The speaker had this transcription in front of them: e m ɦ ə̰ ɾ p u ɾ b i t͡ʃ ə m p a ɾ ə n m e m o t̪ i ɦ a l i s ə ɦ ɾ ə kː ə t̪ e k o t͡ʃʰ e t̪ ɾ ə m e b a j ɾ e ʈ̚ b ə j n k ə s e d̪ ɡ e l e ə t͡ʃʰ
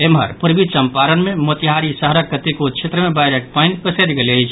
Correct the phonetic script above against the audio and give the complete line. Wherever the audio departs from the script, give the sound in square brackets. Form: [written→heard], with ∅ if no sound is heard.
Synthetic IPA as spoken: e m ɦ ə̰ ɾ p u ɾ b i t͡ʃ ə m p a ɾ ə n m e m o t̪ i ɦ a [l→ɾ] i s ə ɦ ɾ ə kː ə t̪ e k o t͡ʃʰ e t̪ ɾ ə m e b a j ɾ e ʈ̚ [b→p] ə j n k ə s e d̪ ɡ e l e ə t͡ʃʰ